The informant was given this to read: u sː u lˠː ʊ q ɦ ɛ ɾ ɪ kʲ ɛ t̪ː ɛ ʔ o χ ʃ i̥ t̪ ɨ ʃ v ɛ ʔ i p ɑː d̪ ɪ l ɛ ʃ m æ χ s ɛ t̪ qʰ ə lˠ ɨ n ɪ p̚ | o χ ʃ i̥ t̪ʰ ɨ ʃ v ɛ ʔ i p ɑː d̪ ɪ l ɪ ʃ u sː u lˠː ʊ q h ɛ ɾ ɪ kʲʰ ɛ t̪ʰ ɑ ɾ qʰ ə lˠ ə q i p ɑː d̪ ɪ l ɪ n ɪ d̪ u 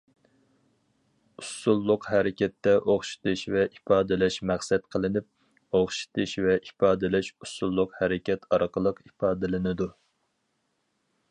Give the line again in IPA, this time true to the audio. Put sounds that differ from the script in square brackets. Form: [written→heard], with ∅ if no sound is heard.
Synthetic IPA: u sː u lˠː ʊ q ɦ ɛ ɾ ɪ kʲ ɛ t̪ː ɛ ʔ o χ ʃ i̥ t̪ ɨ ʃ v ɛ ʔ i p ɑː d̪ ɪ l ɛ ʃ m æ χ s ɛ t̪ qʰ ə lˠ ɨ n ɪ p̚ | o χ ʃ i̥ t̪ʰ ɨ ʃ v ɛ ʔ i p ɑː d̪ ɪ l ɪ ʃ u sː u lˠː ʊ q h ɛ ɾ ɪ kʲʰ ɛ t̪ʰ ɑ ɾ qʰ ə lˠ ə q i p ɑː d̪ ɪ l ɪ n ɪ d̪ u

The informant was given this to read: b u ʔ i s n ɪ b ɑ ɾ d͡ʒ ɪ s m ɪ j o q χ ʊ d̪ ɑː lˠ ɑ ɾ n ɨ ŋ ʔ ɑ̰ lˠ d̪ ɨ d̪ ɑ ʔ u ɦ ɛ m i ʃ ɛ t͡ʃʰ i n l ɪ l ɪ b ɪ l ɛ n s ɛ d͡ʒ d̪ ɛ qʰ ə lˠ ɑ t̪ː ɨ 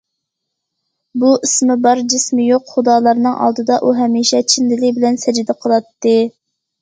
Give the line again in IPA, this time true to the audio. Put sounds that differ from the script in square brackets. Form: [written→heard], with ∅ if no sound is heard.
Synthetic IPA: b u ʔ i s [n→m] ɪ b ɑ ɾ d͡ʒ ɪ s m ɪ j o q χ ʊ d̪ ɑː lˠ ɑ ɾ n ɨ ŋ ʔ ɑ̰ lˠ d̪ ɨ d̪ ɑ ʔ u ɦ ɛ m i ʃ ɛ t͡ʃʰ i n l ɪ l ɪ b ɪ l ɛ n s ɛ d͡ʒ d̪ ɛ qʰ ə lˠ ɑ t̪ː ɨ

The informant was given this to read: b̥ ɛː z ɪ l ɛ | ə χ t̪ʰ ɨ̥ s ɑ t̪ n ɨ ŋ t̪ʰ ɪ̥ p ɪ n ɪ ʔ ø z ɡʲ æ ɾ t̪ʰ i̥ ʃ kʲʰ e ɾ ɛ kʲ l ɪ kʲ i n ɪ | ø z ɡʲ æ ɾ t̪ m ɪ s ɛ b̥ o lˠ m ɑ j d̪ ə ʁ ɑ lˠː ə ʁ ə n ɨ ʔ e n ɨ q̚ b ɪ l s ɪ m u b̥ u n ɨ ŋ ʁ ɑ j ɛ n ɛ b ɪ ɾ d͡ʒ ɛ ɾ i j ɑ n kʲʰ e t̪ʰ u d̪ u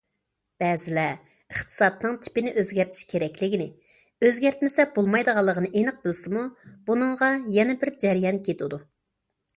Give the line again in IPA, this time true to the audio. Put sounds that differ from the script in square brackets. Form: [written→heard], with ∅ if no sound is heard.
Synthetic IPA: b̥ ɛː z ɪ l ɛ | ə χ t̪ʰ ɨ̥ s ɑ t̪ n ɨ ŋ t̪ʰ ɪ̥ p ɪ n ɪ ʔ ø z ɡʲ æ ɾ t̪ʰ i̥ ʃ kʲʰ e ɾ ɛ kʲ l ɪ [kʲ→ɡʲ] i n ɪ | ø z ɡʲ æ ɾ t̪ m ɪ s ɛ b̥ o lˠ m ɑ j d̪ ə ʁ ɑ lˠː ə ʁ ə n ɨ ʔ e n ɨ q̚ b ɪ l s ɪ m u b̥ u n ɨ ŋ ʁ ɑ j ɛ n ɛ b ɪ ɾ d͡ʒ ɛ ɾ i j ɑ n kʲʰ e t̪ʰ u d̪ u

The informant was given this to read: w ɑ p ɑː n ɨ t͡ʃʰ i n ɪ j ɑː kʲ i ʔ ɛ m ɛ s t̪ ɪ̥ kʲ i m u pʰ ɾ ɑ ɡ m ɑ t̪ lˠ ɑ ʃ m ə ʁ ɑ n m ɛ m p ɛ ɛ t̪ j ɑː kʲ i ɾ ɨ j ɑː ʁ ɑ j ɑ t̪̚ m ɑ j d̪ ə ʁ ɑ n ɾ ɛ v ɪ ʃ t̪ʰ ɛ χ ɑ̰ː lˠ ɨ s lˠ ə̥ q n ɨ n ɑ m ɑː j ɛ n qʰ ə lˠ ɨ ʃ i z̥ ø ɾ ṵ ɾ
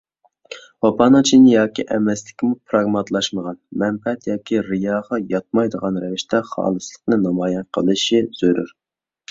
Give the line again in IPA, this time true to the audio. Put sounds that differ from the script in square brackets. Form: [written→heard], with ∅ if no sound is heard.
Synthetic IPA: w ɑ p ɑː n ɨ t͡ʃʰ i n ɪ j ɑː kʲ i ʔ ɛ m ɛ s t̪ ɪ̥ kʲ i m u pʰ ɾ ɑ ɡ m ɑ t̪ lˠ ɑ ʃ m ə ʁ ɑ n m ɛ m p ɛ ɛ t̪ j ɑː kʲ i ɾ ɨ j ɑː ʁ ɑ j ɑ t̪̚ m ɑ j d̪ ə ʁ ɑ n ɾ ɛ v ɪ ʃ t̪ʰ ɛ χ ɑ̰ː lˠ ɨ s lˠ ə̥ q n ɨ n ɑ m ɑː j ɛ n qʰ ə lˠ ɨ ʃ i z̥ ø ɾ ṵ ɾ

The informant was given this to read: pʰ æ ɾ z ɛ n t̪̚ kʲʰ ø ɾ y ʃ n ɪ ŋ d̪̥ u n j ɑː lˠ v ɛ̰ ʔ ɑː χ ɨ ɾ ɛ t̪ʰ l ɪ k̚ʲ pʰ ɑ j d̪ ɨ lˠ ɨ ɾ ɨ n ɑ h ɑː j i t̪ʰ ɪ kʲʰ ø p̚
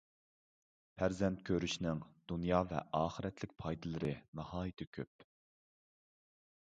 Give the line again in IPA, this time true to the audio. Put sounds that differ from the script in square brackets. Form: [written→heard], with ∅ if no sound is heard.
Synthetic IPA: pʰ æ ɾ z ɛ n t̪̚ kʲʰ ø ɾ y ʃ n ɪ ŋ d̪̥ u n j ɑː [lˠ→∅] v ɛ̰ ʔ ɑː χ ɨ ɾ ɛ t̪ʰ l ɪ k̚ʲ pʰ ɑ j d̪ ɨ lˠ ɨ ɾ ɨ n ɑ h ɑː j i t̪ʰ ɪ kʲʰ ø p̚

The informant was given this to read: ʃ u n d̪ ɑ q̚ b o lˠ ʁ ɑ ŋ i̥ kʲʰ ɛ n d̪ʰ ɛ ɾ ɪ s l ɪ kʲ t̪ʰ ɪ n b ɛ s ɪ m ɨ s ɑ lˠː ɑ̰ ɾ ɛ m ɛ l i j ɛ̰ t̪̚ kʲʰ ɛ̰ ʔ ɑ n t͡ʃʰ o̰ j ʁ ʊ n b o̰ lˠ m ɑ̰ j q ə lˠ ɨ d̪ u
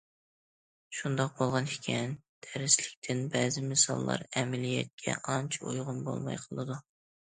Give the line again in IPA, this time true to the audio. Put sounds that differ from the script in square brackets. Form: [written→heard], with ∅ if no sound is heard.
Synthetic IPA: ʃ u n d̪ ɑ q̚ b o lˠ ʁ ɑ [ŋ→n] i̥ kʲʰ ɛ n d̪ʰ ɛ ɾ ɪ s l ɪ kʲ t̪ʰ ɪ n b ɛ [s→z] ɪ m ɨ s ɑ lˠː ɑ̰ ɾ ɛ m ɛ l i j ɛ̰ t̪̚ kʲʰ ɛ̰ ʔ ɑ n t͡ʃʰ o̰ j ʁ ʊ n b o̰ lˠ m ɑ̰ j [q→qʰ] ə lˠ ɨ d̪ u

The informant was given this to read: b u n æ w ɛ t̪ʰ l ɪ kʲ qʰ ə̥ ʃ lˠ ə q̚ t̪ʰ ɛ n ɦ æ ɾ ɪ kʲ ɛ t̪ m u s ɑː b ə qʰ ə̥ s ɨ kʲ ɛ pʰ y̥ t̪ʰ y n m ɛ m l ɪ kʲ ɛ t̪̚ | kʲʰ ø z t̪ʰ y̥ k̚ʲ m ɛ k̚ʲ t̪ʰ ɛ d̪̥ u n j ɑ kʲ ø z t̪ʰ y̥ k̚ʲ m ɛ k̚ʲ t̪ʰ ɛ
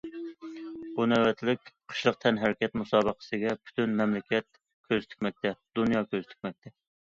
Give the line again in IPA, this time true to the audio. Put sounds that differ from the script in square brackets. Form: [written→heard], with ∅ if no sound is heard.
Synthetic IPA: b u n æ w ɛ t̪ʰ l ɪ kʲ qʰ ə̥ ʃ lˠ ə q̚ t̪ʰ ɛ n ɦ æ ɾ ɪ kʲ ɛ t̪ m u s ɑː b ə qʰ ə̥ s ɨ [kʲ→ɡʲ] ɛ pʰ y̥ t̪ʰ y n m ɛ m l ɪ kʲ ɛ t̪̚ | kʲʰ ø z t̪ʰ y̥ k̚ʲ m ɛ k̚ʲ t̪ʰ ɛ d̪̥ u n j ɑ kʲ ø z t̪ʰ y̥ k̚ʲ m ɛ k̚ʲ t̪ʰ ɛ

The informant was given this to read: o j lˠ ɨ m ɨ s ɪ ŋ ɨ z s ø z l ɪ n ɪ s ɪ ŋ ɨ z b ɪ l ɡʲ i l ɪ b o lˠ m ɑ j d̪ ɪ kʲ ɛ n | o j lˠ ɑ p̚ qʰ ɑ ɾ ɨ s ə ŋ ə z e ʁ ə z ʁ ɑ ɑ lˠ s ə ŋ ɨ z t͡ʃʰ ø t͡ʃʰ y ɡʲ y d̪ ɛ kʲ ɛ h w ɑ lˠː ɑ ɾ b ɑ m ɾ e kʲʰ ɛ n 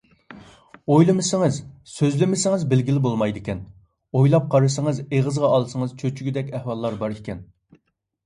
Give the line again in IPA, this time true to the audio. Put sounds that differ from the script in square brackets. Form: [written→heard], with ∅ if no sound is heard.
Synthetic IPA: o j lˠ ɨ m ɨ s ɪ ŋ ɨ z s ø z l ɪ [n→m] ɪ s ɪ ŋ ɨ z b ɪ l ɡʲ i l ɪ b o lˠ m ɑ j d̪ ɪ kʲ ɛ n | o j lˠ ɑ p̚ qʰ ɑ ɾ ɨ s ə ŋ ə z e ʁ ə z ʁ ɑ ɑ lˠ s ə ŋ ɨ z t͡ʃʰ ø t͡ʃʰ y ɡʲ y d̪ ɛ kʲ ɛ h w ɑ lˠː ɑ ɾ b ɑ [m→∅] ɾ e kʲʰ ɛ n

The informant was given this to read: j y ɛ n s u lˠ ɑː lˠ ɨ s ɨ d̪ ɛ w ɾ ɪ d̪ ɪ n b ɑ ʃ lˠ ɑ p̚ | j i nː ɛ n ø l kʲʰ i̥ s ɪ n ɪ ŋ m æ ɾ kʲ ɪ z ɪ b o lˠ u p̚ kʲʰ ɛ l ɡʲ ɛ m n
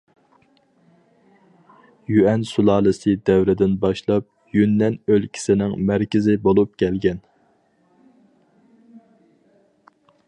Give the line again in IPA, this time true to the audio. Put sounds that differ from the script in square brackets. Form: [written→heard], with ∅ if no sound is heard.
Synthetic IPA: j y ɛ n s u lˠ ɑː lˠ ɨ s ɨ d̪ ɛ w ɾ ɪ d̪ ɪ n b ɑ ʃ lˠ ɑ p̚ | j [i→y] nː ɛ n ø l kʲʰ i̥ s ɪ n ɪ ŋ m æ ɾ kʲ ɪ z ɪ b o lˠ u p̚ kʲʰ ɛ l ɡʲ ɛ [m→∅] n

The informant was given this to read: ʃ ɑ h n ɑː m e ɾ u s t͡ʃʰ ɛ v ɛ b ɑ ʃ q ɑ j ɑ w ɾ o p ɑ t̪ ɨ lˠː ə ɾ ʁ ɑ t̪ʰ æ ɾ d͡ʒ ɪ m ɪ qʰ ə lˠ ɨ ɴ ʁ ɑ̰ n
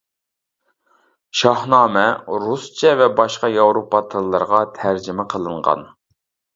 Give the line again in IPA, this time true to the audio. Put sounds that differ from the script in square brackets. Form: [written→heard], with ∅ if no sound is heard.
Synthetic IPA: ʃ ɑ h n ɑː m [e→ɛ] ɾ u s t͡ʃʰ ɛ v ɛ b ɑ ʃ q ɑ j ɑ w ɾ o p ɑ [t̪→t̪ʰ] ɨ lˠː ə ɾ ʁ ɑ t̪ʰ æ ɾ d͡ʒ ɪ m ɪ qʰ ə lˠ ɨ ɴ ʁ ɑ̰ n

